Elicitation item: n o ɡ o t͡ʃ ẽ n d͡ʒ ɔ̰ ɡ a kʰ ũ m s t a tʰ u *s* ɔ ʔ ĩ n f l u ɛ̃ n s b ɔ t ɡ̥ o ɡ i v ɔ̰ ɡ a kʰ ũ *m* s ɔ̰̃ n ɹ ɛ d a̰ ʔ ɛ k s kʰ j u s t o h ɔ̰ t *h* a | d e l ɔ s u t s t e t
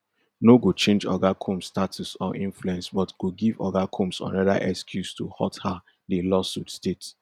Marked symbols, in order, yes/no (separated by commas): yes, yes, yes